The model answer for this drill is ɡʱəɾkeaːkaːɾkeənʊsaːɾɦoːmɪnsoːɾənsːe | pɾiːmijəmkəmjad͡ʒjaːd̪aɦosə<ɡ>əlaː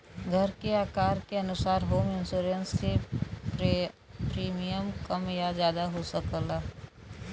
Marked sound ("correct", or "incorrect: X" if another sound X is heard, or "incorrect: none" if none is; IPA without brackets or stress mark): incorrect: k